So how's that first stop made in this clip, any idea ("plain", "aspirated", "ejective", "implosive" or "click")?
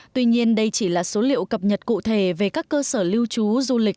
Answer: plain